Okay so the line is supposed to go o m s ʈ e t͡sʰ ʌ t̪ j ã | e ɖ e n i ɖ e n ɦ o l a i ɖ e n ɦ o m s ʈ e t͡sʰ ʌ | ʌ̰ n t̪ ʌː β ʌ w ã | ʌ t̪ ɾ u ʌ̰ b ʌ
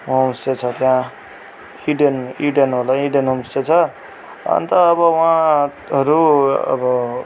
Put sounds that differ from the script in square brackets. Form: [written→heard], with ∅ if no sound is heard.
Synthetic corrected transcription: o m s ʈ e t͡sʰ ʌ t̪ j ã | [e→i] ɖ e n i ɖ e n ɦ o l a i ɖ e n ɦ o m s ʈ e t͡sʰ ʌ | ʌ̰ n t̪ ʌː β ʌ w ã | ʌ [t̪→∅] ɾ u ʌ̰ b ʌ